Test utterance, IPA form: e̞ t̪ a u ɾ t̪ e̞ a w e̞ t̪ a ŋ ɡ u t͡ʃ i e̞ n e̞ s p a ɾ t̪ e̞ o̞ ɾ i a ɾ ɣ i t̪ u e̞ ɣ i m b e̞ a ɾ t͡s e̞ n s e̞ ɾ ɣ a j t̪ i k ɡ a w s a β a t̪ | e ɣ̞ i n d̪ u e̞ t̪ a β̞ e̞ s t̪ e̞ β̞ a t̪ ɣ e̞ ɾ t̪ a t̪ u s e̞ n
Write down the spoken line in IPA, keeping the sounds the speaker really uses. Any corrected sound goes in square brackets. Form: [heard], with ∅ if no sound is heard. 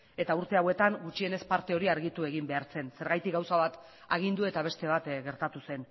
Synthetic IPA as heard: e̞ t̪ a u ɾ t̪ e̞ a w e̞ t̪ a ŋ ɡ u t͡ʃ i e̞ n e̞ s p a ɾ t̪ e̞ o̞ ɾ i a ɾ ɣ i t̪ u e̞ ɣ i m b e̞ a ɾ t͡s e̞ n s e̞ ɾ ɣ a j t̪ i k ɡ a w s a β a t̪ | [a] ɣ̞ i n d̪ u e̞ t̪ a β̞ e̞ s t̪ e̞ β̞ a t̪ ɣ e̞ ɾ t̪ a t̪ u s e̞ n